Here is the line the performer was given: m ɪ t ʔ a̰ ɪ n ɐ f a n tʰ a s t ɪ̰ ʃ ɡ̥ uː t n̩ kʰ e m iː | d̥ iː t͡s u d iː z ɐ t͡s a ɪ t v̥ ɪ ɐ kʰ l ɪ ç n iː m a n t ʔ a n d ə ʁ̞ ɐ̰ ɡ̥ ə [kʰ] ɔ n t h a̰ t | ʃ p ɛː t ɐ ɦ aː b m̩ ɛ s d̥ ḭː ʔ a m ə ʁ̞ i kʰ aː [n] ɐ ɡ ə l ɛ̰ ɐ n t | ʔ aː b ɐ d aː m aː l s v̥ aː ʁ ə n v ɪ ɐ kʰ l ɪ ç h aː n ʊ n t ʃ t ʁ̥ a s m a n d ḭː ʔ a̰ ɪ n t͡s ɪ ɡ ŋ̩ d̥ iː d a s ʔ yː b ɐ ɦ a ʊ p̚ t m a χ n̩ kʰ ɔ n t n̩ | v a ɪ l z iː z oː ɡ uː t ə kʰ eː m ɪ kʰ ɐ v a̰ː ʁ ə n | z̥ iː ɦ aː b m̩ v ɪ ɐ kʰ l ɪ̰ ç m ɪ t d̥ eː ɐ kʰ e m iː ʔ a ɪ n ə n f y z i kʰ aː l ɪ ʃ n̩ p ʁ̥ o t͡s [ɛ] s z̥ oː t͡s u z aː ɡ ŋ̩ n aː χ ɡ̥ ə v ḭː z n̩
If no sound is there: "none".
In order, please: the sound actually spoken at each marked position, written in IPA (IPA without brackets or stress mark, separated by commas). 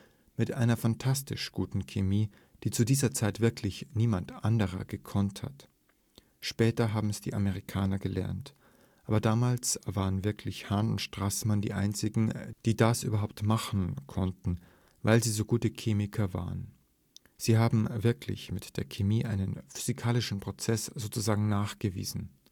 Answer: kʰ, n, ɛ